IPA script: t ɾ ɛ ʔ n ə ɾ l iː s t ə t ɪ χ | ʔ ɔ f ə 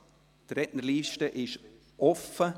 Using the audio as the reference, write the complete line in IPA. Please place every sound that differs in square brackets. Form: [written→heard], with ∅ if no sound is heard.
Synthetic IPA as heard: t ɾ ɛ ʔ n ə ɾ l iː [s→ʃ] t ə [t→ʔ] ɪ [χ→ʃ] | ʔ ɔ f ə

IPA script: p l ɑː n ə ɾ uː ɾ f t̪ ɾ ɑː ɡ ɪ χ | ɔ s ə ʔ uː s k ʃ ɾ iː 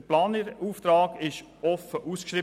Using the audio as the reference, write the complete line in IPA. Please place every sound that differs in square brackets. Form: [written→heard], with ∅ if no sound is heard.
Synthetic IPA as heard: p l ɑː n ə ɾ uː [ɾ→∅] f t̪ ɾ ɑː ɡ ɪ [χ→ʃ] | ɔ [s→f] ə ʔ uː s k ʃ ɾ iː

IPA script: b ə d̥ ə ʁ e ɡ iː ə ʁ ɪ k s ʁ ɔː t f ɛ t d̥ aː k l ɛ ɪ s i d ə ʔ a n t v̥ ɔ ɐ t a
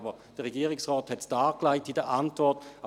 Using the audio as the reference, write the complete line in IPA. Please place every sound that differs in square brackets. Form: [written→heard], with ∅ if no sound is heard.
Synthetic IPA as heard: b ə d̥ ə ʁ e ɡ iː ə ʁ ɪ k s ʁ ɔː t [f→h] ɛ t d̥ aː k l [ɛ→a] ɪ [s→t] i d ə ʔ a n t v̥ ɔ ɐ t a

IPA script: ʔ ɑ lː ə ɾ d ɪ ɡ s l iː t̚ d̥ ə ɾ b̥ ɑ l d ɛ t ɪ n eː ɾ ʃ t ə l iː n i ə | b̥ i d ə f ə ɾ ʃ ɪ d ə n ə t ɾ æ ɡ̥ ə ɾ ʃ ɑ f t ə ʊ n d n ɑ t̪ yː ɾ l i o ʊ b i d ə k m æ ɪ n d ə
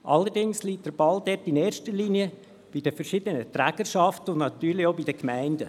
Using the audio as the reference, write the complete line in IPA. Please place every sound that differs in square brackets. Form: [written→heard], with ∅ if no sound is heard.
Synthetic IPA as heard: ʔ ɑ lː ə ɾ d ɪ [ɡ→ŋ] s l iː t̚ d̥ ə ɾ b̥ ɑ l d ɛ t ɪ n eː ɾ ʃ t ə l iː n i ə | b̥ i d ə f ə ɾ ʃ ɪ d ə n ə t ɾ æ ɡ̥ ə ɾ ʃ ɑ f t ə ʊ n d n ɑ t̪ yː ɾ l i o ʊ b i d ə k m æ ɪ n d ə

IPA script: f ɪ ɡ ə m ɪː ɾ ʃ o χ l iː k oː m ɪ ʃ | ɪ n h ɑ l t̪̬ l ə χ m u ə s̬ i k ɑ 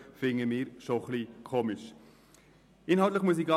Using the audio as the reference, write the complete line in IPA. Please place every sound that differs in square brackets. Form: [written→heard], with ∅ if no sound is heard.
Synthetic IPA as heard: f ɪ [ɡ→ŋ] ə m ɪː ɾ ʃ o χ l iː [k→kʰ] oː m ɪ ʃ | ɪ n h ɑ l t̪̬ l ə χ m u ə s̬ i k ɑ

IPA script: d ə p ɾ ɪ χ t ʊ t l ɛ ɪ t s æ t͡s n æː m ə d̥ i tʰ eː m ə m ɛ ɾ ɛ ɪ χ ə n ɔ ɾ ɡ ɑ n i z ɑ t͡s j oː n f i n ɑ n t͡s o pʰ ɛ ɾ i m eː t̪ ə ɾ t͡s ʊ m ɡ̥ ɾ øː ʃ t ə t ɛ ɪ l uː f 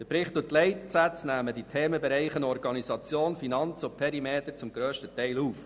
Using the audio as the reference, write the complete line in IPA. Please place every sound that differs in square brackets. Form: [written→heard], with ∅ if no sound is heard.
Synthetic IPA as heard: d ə p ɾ ɪ χ t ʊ t l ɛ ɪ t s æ t͡s n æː m ə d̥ i tʰ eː m ə [m→b] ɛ ɾ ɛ ɪ χ ə n ɔ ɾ ɡ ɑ n i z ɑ t͡s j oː n f i n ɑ n t͡s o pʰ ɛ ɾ i m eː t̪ ə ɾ t͡s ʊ m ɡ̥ ɾ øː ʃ t ə t ɛ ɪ l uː f

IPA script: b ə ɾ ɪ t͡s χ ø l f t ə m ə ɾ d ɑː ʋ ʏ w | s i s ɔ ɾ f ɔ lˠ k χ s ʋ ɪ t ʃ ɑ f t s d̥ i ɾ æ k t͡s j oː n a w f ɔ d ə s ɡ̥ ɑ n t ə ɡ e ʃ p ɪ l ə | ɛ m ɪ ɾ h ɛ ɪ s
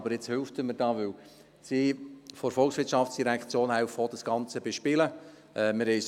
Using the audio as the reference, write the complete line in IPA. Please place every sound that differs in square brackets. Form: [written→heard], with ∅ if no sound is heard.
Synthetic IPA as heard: b ə ɾ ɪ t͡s [χ→h] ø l f t ə m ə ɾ d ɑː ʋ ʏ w | s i [s→f] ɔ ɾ f ɔ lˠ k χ s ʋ ɪ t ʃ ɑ f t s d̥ i ɾ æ k t͡s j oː n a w f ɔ d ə s ɡ̥ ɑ n [t→t͡s] ə [ɡ→b] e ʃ p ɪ l ə | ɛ m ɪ ɾ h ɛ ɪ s

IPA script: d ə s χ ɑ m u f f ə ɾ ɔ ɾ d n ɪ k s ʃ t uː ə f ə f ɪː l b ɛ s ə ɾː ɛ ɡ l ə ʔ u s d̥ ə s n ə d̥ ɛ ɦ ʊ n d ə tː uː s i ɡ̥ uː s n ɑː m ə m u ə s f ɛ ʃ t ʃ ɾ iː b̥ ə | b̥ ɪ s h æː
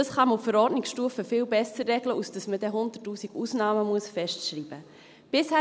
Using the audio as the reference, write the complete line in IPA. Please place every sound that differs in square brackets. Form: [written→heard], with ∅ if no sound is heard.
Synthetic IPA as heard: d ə s χ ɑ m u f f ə ɾ ɔ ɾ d n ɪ k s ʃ t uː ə f ə f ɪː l b ɛ s ə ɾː ɛ ɡ l ə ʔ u s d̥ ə s [n→m] ə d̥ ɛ ɦ ʊ n d ə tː uː s i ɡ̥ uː s n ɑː m ə m u ə s f ɛ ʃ t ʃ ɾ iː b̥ ə | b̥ ɪ s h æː

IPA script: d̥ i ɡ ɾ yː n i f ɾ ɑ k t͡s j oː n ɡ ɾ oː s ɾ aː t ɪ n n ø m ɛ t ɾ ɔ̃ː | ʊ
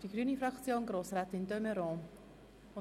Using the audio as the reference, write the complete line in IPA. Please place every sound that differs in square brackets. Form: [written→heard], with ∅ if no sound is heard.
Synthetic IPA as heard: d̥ i ɡ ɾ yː n i f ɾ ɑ k t͡s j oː n ɡ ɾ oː s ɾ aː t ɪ n [n→d] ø m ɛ [t→∅] ɾ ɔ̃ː | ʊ

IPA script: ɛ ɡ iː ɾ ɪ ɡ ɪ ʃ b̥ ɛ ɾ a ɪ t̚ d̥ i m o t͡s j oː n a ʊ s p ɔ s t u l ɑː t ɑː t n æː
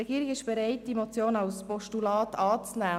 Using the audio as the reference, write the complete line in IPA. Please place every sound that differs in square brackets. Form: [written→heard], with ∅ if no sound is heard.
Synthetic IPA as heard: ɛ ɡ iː ɾ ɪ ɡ ɪ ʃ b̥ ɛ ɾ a ɪ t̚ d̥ i m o t͡s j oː n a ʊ s p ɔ [s→ʃ] t u l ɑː t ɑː [t→t͡s] n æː

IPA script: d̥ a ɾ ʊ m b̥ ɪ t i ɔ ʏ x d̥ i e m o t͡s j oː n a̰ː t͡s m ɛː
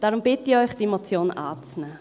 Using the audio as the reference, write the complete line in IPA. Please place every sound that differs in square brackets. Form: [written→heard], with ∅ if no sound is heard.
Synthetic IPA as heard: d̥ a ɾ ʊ m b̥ ɪ t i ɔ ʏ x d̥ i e m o t͡s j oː n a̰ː t͡s [m→n] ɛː

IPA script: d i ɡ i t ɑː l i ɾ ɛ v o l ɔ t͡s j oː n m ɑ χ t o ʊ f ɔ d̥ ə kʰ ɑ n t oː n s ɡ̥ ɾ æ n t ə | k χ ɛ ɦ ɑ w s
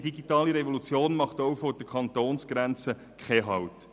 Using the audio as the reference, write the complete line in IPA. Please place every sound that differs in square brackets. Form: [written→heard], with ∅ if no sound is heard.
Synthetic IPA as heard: d i ɡ i t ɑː l i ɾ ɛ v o l [ɔ→u] t͡s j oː n m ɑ χ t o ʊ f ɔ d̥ ə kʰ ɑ n t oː n s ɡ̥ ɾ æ n [t→t͡s] ə | k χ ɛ ɦ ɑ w [s→t]

